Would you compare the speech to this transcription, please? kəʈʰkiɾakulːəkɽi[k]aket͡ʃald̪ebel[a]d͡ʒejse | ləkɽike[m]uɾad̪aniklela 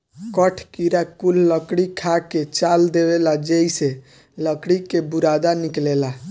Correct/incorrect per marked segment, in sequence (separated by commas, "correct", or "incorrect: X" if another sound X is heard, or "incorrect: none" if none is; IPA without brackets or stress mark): incorrect: kʰ, correct, incorrect: b